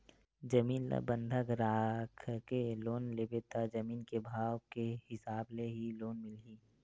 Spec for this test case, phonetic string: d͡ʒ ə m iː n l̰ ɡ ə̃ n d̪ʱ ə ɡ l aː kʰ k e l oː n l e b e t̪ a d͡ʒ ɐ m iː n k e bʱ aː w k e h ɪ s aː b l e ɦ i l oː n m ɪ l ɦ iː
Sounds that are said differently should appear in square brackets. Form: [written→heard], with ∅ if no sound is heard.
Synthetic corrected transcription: d͡ʒ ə m iː n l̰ [ɡ→b] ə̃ n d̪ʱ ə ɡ [l→ɾ] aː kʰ k e l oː n l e b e t̪ a d͡ʒ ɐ m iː n k e bʱ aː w k e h ɪ s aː b l e ɦ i l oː n m ɪ l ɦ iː

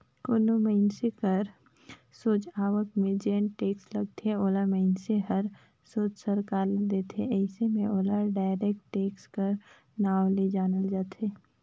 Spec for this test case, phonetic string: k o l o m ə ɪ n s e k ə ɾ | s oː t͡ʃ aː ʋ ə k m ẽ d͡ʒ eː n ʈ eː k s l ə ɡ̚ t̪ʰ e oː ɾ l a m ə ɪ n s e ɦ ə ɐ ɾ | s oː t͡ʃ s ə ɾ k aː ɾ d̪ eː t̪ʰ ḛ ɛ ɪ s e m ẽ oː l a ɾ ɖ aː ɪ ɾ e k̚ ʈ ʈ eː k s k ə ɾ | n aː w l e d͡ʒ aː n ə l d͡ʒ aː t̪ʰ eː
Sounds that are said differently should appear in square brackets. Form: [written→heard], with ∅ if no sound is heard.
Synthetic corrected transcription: k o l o m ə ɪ n s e k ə ɾ | s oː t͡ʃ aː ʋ ə k m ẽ d͡ʒ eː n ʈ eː k s l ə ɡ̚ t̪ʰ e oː [ɾ→∅] l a m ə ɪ n s e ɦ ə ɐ ɾ | s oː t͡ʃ s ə ɾ k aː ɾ d̪ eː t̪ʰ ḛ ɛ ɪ s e m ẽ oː l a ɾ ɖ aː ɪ ɾ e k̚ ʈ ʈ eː k s k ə ɾ | n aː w l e d͡ʒ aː n ə l d͡ʒ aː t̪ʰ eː

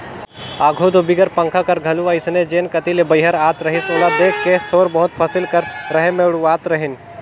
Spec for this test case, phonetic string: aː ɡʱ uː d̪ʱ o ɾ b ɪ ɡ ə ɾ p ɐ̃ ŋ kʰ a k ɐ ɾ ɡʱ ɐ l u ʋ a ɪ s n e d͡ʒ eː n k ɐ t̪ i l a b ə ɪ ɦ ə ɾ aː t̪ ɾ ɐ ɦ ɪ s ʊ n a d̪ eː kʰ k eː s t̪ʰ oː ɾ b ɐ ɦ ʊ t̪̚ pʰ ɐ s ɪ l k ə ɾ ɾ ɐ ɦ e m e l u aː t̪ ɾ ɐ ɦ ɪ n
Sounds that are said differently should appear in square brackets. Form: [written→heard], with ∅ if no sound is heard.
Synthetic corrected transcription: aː ɡʱ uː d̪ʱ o [ɾ→∅] b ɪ ɡ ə ɾ p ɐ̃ ŋ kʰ a k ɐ ɾ ɡʱ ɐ l u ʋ a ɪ s n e d͡ʒ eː n k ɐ t̪ i l [a→e] b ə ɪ ɦ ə ɾ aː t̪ ɾ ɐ ɦ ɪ s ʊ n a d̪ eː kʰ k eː s t̪ʰ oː ɾ b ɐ ɦ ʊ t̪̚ pʰ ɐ s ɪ l k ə ɾ ɾ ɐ ɦ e m e [l→ɽ] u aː t̪ ɾ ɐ ɦ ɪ n

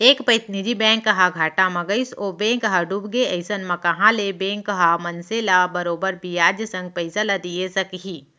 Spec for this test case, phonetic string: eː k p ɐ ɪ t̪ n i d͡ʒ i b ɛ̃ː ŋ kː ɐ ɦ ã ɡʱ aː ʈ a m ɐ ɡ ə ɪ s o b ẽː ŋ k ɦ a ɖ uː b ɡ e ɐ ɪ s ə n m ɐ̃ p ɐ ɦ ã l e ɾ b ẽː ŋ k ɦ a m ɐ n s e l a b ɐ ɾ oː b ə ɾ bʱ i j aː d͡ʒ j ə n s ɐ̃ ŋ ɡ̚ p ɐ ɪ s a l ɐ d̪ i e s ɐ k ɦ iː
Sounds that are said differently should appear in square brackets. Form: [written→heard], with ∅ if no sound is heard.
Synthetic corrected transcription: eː k p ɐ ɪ t̪ n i d͡ʒ i b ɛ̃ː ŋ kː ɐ ɦ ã ɡʱ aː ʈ a m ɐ ɡ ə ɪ s o b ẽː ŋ k ɦ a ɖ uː b ɡ e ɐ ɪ s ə n m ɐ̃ [p→k] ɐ ɦ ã l e [ɾ→∅] b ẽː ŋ k ɦ a m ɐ n s e l a b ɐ ɾ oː b ə ɾ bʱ i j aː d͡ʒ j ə [n→∅] s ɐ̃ ŋ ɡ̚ p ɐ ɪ s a l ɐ d̪ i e s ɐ k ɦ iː

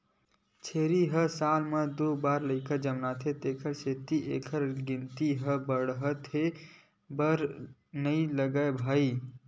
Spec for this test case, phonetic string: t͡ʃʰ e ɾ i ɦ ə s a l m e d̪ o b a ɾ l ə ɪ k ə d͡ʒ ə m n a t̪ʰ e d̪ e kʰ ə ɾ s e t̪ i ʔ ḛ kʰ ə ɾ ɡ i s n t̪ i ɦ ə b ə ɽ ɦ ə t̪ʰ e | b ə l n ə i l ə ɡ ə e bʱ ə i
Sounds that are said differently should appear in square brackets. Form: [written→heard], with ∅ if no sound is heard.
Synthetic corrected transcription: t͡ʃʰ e ɾ i ɦ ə s a l m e d̪ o b a ɾ l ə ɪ k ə d͡ʒ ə m n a t̪ʰ e [d̪→t̪] e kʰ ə ɾ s e t̪ i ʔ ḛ kʰ ə ɾ ɡ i [s→∅] n t̪ i ɦ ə b ə ɽ ɦ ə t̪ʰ e | b ə [l→ɾ] n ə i l ə ɡ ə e bʱ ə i

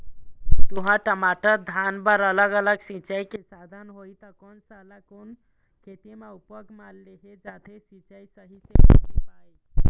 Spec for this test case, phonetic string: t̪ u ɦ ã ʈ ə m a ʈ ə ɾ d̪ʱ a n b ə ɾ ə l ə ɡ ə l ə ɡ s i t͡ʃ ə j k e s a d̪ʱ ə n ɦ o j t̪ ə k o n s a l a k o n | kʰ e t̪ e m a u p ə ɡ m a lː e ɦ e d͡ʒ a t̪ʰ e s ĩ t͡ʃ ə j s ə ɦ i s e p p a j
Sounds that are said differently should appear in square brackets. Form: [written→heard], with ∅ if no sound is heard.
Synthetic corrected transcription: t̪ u ɦ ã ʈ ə m a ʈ ə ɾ d̪ʱ a n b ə ɾ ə l ə ɡ ə l ə ɡ s i t͡ʃ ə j k e s a d̪ʱ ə n ɦ o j t̪ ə k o n s a l a k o n | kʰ e t̪ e m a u p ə ɡ m a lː e ɦ e d͡ʒ a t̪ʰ e s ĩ t͡ʃ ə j s ə ɦ i s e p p a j

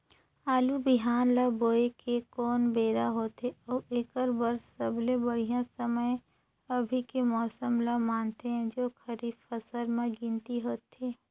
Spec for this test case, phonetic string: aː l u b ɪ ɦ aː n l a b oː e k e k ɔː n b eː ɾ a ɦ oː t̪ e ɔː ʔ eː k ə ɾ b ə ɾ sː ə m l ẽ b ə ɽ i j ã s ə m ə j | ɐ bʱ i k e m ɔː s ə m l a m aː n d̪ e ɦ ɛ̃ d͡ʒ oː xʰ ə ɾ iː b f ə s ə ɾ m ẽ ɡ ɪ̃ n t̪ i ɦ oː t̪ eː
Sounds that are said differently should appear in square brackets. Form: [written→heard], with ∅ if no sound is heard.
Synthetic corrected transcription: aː l u b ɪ ɦ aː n l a b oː e k e k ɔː n b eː ɾ a ɦ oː t̪ e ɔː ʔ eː k ə ɾ b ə ɾ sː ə [m→b] l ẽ b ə ɽ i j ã s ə m ə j | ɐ bʱ i k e m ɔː s ə m l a m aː n [d̪→t̪] e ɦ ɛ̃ d͡ʒ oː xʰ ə ɾ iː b f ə s ə ɾ m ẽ ɡ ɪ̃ n t̪ i ɦ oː t̪ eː

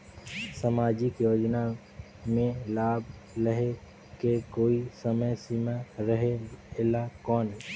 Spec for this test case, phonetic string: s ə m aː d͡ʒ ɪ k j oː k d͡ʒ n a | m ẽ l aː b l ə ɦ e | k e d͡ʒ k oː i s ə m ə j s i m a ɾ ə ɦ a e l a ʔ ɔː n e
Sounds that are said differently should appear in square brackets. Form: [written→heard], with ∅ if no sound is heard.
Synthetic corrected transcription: s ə m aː d͡ʒ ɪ k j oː [k→∅] d͡ʒ n a | m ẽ l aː b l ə ɦ e | k e [d͡ʒ→∅] k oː i s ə m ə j s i m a ɾ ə ɦ [a→e] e l a [ʔ→k] ɔː n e

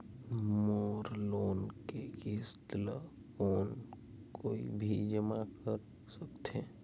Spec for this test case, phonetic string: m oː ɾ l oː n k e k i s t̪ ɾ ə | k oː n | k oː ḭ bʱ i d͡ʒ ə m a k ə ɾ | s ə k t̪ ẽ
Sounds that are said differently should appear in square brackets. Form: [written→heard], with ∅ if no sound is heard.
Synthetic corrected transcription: m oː ɾ l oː n k e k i s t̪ [ɾ→l] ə | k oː n | k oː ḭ bʱ i d͡ʒ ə m a k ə ɾ | s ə k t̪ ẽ

